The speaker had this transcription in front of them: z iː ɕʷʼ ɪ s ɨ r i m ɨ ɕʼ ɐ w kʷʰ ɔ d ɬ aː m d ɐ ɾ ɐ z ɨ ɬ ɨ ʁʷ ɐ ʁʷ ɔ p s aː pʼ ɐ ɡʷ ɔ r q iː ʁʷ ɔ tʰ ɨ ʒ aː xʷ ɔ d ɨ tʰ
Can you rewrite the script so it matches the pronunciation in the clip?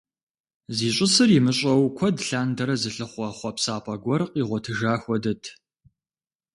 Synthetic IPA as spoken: z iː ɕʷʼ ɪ s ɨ r i m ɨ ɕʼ ɐ w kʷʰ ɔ d ɬ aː n d ɐ ɾ ɐ z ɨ ɬ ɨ χʷ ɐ χʷ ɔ p s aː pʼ ɐ ɡʷ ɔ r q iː ʁʷ ɔ tʰ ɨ ʒ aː xʷ ɔ d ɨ tʰ

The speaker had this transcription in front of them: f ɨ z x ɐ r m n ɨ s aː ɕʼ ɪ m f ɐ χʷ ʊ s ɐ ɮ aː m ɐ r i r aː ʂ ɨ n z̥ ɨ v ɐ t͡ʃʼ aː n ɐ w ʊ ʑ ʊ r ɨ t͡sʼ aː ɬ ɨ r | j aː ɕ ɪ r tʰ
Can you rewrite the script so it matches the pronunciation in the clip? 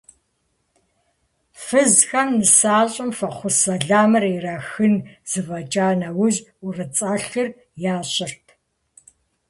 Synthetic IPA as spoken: f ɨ z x ɐ m n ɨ s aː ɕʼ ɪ m f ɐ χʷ ʊ s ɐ ɮ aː m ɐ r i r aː x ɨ n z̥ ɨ v ɐ t͡ʃʼ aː n ɐ w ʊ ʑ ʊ r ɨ t͡sʼ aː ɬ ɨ r | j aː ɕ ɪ r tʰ

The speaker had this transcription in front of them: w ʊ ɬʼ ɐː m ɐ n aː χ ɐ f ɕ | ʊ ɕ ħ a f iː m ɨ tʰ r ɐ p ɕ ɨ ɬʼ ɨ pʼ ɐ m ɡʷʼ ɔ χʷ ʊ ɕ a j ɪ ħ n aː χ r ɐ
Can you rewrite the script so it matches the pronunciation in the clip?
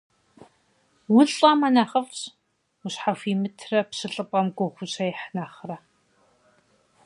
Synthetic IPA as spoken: w ʊ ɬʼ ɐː m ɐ n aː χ ɐ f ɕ | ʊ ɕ ħ a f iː m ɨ tʰ r ɐ p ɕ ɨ ɬʼ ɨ pʼ ɐ m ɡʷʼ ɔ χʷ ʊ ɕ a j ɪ ħ n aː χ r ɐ

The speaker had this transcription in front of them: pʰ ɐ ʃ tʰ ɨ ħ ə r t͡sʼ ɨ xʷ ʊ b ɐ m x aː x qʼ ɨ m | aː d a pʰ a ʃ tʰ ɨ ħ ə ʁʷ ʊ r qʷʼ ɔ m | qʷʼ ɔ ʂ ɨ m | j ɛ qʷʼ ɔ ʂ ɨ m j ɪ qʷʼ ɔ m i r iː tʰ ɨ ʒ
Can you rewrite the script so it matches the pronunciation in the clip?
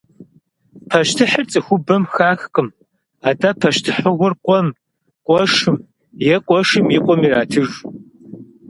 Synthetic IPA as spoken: pʰ ɐ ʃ tʰ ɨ ħ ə r t͡sʼ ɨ xʷ ʊ b ɐ m x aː x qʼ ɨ m | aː d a pʰ ɐ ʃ tʰ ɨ ħ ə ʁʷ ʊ r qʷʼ ɔ m | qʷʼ ɔ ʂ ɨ m | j ɛ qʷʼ ɔ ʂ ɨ m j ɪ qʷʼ ɔ m i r aː tʰ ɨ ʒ

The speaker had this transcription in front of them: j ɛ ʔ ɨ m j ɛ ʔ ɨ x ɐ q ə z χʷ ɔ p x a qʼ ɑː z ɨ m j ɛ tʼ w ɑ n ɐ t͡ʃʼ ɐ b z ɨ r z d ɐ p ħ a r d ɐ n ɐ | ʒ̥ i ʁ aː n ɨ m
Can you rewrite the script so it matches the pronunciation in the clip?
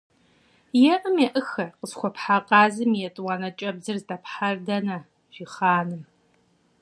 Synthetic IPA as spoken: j ɛ ʔ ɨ m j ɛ ʔ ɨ x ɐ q ə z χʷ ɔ p ħ a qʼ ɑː z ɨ m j ɛ tʼ w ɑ n ɐ t͡ʃʼ ɐ b z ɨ r z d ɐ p ħ a r d ɐ n ɐ | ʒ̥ i χ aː n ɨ m

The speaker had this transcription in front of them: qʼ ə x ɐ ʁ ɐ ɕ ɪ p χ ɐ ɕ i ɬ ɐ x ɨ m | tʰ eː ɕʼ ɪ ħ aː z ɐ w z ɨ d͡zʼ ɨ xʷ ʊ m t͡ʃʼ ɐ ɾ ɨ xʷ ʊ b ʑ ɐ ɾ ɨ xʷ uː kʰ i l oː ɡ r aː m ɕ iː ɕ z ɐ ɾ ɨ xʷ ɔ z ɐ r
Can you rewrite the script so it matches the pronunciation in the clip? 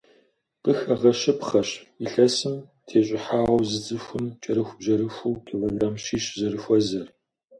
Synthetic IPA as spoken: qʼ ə x ɐ ʁ ɐ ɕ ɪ p χ ɐ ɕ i ɬ ɐ s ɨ m | tʰ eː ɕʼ ɪ ħ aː ʁ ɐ w z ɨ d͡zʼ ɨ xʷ ʊ m t͡ʃʼ ɐ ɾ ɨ xʷ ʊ b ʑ ɐ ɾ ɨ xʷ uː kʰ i l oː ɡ r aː m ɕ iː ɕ z ɐ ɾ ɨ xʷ ɔ z ɐ r

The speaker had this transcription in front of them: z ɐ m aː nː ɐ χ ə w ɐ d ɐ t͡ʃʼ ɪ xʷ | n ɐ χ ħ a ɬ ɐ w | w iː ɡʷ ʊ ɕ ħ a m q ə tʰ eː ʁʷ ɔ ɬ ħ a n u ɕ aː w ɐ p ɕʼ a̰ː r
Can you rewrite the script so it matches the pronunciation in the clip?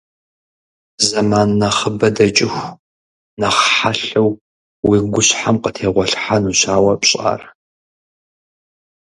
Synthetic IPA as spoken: z ɐ m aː nː ɐ χ ə b ɐ d ɐ t͡ʃʼ ɪ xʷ | n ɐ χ ħ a ɬ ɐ w | w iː ɡʷ ʊ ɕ ħ a m q ə tʰ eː ʁʷ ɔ ɬ ħ a n u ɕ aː w ɐ p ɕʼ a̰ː r

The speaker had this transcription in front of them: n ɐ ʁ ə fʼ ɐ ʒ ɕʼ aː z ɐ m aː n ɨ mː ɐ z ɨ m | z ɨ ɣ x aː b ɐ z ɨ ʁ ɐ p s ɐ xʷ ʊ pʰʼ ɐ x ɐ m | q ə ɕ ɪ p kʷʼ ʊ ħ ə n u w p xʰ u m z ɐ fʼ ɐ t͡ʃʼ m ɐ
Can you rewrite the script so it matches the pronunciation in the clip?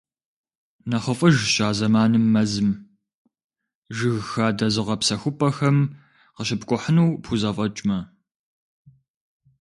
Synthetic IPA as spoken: n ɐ χ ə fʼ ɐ ʒ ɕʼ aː z ɐ m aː n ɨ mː ɐ z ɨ m | ʒ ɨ ɣ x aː d ɐ z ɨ ʁ ɐ p s ɐ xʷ ʊ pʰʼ ɐ x ɐ m | q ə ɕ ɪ p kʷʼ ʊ ħ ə n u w p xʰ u z ɐ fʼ ɐ t͡ʃʼ m ɐ

